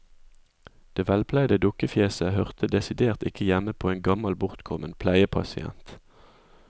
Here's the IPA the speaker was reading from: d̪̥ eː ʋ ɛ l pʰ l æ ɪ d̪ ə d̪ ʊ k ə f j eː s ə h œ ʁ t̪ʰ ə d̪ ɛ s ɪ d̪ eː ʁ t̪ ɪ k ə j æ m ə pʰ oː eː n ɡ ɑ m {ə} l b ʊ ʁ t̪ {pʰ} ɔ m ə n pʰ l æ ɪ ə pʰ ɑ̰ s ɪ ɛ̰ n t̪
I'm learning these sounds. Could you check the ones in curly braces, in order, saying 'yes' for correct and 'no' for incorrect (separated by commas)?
no, no